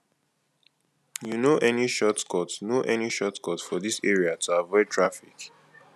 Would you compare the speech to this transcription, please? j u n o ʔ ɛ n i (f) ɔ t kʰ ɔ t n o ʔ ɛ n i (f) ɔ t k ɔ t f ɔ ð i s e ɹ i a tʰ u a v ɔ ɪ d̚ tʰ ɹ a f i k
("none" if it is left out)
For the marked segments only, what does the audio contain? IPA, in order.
ʃ, ʃ

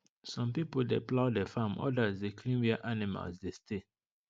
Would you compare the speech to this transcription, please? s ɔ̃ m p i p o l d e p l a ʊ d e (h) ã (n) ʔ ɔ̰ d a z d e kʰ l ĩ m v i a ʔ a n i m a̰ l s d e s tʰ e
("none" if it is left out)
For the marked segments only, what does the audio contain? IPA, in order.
f, m

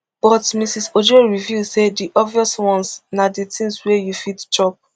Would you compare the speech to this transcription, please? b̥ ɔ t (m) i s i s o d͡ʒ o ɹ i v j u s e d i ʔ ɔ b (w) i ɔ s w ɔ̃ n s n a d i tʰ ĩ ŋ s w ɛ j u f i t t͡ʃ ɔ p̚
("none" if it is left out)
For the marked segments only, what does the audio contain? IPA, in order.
m, v

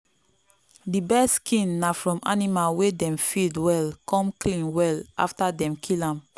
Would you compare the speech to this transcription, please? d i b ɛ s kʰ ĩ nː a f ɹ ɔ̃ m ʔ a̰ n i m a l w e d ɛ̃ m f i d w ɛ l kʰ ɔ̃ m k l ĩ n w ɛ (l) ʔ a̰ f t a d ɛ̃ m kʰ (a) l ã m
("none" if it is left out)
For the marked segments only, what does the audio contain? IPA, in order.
l, i

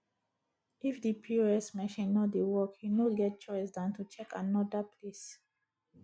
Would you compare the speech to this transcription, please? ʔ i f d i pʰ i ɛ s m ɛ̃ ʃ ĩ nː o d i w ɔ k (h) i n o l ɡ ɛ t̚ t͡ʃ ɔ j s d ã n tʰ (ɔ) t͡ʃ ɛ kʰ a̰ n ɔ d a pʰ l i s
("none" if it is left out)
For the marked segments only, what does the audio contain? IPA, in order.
h, u

